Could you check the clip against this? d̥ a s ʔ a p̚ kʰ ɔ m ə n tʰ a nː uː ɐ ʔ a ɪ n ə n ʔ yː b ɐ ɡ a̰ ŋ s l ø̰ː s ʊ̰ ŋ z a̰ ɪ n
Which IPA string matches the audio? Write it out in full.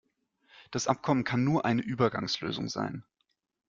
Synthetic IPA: d̥ a s ʔ a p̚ kʰ ɔ m ə n kʰ a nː uː ɐ ʔ a ɪ n ə ʔ yː b ɐ ɡ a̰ ŋ s l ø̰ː z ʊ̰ ŋ z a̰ ɪ n